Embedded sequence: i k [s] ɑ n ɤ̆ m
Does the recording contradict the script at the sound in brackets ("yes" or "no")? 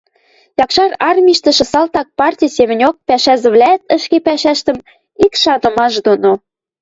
yes